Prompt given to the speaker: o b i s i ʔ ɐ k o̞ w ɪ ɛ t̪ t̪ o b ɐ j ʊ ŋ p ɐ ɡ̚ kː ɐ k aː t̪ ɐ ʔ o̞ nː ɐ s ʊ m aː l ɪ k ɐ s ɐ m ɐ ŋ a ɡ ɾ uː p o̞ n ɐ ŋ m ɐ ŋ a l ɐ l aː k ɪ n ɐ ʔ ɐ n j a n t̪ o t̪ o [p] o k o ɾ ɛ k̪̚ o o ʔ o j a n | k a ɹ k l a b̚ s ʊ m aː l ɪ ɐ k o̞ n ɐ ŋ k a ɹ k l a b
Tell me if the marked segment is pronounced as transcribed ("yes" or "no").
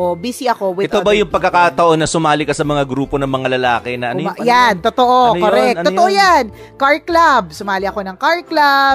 no